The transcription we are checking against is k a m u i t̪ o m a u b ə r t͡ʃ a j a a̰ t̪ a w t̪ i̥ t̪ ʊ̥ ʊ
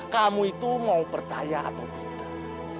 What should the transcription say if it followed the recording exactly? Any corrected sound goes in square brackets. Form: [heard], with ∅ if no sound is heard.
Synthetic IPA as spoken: k a m u i t̪ [u] m a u [p] ə r t͡ʃ a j a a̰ t̪ a w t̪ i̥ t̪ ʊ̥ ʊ